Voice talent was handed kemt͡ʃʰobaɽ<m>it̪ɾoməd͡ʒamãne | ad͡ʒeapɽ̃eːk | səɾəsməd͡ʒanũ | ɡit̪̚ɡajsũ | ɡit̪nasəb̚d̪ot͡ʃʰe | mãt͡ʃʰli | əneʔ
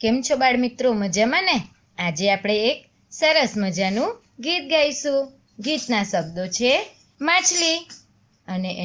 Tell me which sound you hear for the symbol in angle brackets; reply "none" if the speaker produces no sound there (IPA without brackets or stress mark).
m